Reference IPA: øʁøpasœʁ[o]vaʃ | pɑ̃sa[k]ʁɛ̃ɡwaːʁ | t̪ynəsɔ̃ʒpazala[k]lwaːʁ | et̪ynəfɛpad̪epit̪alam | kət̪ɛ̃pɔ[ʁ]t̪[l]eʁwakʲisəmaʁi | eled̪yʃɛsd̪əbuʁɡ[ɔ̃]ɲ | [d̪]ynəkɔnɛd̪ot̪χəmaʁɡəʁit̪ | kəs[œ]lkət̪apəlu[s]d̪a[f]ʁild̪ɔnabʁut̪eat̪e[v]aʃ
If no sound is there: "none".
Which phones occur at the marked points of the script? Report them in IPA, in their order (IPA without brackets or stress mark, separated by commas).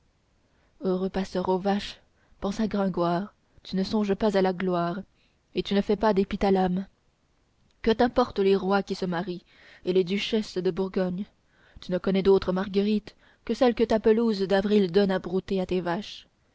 o, ɡ, ɡ, ʁ, l, ɔ, t̪, ɛ, z, v, v